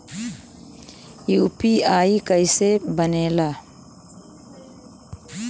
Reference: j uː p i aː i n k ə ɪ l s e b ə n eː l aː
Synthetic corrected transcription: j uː p i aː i k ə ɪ s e b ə n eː l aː